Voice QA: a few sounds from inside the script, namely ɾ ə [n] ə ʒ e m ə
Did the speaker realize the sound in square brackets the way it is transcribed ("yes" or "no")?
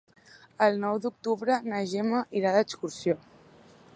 yes